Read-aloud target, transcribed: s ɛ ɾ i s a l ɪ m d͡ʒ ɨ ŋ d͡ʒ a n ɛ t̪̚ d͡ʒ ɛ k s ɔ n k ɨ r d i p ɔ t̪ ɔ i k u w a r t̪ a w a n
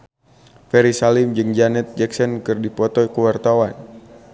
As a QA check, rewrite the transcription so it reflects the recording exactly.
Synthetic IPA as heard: f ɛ ɾ i s a l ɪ m d͡ʒ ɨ ŋ d͡ʒ a n ɛ t̪̚ d͡ʒ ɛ k s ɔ n k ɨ r d i p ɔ t̪ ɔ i k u w a r t̪ a w a n